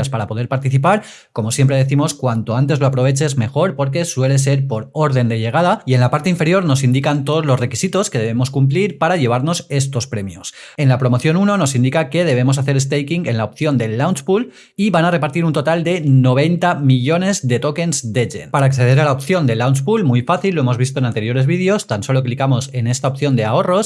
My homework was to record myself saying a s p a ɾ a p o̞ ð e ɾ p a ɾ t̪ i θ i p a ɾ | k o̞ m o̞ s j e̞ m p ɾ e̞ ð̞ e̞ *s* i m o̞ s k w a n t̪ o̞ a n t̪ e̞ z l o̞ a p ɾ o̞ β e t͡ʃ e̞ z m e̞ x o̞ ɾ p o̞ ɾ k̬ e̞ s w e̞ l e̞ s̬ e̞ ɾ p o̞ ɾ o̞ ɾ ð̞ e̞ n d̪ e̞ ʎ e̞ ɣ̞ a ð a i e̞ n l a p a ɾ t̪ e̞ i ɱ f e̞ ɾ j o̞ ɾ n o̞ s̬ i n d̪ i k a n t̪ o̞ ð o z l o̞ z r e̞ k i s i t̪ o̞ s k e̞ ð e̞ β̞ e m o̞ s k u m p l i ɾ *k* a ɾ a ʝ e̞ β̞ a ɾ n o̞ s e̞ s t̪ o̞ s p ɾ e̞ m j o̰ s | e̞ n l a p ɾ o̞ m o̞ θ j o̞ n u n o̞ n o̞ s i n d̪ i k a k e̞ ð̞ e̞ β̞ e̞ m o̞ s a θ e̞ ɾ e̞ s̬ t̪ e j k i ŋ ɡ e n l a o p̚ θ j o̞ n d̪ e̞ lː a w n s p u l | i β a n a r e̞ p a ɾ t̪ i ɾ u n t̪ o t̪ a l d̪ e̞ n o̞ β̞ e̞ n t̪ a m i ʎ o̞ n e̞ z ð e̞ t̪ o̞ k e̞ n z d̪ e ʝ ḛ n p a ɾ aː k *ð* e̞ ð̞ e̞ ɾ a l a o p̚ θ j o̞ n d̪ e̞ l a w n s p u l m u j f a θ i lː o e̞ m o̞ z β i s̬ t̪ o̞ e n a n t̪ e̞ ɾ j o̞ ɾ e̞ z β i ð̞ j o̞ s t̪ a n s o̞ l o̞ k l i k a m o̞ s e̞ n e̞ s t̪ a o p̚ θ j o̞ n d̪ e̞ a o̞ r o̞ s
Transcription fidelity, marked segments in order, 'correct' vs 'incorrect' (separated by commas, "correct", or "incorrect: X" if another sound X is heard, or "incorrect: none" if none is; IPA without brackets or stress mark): incorrect: θ, incorrect: p, incorrect: θ